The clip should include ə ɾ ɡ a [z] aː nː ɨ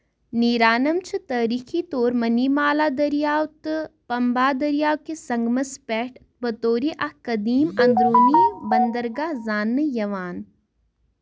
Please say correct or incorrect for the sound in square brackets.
correct